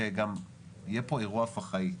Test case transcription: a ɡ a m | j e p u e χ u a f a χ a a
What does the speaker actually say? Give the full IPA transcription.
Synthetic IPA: e ɡ a m | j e p o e ʁ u a f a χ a i